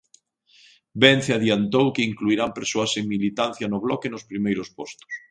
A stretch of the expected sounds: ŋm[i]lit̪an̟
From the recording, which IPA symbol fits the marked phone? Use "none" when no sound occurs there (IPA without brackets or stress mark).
i